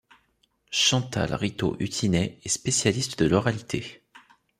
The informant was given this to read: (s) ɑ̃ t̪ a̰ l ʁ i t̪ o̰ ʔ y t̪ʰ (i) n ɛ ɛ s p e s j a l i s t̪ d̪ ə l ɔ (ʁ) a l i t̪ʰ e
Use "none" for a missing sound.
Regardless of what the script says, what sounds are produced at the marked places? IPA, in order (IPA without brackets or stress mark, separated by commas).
ʃ, i, ʁ